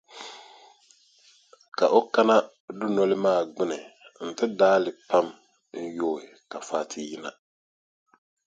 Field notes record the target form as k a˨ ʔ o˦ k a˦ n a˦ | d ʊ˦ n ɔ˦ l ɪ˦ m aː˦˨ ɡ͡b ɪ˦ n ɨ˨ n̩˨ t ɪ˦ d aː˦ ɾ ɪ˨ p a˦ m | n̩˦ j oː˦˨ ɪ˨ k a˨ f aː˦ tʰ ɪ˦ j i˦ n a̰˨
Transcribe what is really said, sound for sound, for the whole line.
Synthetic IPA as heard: k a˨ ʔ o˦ k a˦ n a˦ | d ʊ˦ n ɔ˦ l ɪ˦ m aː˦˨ ɡ͡b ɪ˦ n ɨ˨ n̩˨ t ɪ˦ d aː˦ l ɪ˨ p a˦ m | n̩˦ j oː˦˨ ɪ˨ k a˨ f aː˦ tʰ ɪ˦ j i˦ n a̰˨

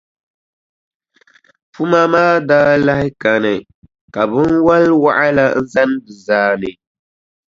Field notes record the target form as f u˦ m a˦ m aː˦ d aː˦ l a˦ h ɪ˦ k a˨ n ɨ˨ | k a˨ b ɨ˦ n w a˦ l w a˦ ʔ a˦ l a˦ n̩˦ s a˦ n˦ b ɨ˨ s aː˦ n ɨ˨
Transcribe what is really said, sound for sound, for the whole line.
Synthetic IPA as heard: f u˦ m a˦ m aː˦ d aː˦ l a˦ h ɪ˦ k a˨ n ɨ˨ | k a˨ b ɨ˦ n w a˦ l w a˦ ʔ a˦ l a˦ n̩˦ z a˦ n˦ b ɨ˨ z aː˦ n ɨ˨

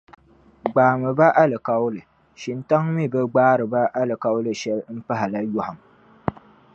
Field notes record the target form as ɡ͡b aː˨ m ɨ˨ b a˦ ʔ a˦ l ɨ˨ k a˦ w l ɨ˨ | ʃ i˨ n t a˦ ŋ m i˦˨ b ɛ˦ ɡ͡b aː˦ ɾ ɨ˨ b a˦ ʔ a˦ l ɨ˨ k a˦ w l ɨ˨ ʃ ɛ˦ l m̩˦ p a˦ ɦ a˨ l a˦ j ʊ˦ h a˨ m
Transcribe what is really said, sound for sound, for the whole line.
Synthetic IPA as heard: ɡ͡b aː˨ m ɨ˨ b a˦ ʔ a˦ l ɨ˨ k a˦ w l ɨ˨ | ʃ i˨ n t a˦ ŋ m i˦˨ b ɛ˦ ɡ͡b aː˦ ɾ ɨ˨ b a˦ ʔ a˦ l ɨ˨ k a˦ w l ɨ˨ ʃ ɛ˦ l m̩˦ p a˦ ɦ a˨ l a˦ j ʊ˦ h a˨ m

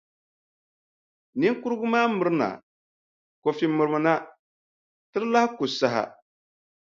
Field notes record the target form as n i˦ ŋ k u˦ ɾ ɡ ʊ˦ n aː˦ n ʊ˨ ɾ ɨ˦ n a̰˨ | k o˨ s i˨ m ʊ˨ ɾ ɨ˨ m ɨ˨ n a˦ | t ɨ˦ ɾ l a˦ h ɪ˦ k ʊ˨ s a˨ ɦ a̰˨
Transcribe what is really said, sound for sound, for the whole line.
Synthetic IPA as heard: n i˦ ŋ k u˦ ɾ ɡ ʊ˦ m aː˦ m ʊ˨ ɾ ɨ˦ n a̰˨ | k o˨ f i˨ m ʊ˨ ɾ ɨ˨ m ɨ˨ n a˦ | t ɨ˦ ɾ l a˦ h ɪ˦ k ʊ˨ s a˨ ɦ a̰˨

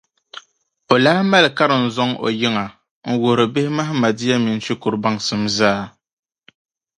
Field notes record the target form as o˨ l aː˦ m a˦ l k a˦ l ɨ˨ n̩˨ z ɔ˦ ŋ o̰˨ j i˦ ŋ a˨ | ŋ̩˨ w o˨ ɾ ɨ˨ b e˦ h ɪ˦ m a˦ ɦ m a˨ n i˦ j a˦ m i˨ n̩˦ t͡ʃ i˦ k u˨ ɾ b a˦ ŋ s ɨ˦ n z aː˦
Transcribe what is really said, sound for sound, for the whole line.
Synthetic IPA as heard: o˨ l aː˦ m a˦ l k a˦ ɾ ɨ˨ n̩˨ z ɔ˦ ŋ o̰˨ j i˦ ŋ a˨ | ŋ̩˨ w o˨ ɾ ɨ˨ b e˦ h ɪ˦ m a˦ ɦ m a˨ d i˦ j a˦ m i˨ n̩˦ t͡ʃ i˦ k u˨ ɾ b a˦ ŋ s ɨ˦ m z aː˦

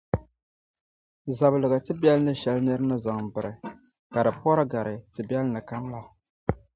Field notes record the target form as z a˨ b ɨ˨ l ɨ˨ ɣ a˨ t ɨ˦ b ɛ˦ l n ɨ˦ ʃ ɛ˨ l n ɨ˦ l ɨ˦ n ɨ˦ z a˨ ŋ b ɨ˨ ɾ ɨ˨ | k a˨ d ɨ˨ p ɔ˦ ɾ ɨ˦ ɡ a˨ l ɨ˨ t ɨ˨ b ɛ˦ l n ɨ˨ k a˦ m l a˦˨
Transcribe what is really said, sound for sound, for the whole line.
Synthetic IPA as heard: z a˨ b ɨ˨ l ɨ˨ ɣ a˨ t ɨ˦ b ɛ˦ l n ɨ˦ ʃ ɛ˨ l n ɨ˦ ɾ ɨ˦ n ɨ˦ z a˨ ŋ b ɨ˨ ɾ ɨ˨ | k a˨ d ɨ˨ p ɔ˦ ɾ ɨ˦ ɡ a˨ ɾ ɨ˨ t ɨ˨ b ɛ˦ l n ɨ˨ k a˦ m l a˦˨

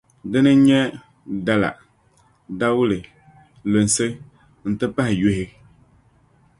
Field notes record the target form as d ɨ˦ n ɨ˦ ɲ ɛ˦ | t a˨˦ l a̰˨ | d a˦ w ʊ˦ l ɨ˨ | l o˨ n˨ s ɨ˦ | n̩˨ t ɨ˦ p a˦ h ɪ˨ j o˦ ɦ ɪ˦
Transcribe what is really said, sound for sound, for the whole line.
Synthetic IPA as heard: d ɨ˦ n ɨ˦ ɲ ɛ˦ | d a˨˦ l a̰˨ | d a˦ w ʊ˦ l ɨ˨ | l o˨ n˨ s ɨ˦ | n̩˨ t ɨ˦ p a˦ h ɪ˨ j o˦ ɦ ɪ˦

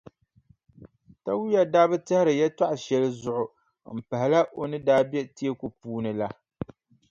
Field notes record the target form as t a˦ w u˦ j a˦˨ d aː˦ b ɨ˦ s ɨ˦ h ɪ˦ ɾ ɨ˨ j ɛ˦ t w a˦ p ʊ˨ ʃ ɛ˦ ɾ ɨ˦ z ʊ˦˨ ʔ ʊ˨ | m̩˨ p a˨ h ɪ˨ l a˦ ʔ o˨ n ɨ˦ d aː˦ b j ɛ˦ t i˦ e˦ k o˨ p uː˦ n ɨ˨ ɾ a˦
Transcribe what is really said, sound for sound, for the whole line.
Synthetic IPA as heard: t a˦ w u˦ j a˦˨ d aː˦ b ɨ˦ t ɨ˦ h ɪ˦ ɾ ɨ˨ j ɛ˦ t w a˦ ʔ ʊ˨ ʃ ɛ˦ l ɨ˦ z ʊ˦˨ ʔ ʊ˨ | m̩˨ p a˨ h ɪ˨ l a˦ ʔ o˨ n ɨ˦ d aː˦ b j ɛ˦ t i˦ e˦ k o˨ p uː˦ n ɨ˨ l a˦

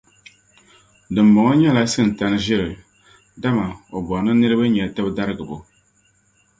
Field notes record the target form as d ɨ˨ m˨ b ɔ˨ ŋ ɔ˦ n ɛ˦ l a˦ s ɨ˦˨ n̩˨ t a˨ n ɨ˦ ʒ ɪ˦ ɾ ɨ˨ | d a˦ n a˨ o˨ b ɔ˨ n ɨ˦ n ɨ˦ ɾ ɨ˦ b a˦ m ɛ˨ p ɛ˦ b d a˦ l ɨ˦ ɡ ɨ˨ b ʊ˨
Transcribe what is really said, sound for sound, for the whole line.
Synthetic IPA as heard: d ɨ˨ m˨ b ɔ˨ ŋ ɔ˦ ɲ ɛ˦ l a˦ s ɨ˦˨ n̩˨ t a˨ n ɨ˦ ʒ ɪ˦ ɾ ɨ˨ | d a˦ m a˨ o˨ b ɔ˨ n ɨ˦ n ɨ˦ ɾ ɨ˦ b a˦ ɲ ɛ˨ t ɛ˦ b d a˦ ɾ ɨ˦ ɡ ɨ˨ b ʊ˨

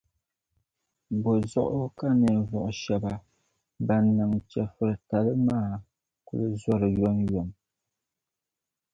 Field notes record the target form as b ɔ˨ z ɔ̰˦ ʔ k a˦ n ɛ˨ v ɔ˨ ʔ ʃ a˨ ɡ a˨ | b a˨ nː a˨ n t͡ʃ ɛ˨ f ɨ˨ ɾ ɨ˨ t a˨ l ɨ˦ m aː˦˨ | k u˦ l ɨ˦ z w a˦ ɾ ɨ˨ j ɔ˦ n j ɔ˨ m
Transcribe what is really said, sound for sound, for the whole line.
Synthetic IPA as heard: b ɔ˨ z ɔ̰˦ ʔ k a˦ n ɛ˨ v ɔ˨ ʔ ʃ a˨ b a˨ | b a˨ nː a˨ ŋ t͡ʃ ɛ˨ f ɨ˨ ɾ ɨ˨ t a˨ l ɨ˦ m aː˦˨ | k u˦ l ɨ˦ z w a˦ ɾ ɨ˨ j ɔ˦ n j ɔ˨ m

